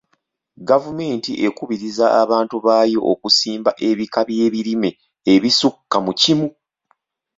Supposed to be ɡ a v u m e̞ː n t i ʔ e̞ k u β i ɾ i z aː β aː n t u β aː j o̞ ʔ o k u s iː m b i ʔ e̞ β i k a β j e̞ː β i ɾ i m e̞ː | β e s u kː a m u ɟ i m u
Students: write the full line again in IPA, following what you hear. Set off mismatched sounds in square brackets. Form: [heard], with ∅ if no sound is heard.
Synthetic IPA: ɡ a v u m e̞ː n t i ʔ e̞ k u β i ɾ i z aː β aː n t u β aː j o̞ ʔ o k u s iː m b [a] ʔ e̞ β i k a β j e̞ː β i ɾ i m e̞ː | β [i] s u kː a m u [c] i m u